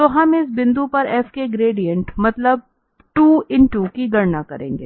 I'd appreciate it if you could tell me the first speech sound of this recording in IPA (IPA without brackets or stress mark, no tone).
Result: t̪